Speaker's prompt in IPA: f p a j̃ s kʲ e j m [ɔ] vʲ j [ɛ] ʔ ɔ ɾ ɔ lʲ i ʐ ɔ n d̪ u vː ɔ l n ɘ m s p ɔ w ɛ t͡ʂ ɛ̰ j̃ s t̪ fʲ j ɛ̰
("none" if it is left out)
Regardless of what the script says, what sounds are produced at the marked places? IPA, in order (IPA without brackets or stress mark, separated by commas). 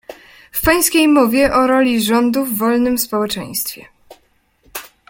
ɔ, ɛ